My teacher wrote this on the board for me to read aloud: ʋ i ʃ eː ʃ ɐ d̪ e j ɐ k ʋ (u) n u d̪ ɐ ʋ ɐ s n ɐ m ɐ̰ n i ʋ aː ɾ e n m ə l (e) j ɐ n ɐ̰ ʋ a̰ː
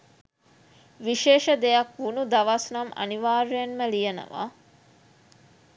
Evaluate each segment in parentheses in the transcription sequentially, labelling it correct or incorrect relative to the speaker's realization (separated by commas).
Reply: correct, incorrect